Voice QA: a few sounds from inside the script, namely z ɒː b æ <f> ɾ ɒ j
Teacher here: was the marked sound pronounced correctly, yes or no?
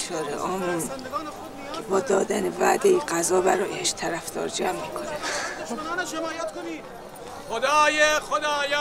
no